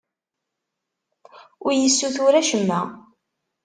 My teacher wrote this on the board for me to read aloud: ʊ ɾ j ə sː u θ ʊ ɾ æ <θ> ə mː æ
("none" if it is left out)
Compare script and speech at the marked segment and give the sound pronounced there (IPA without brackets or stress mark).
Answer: ʃ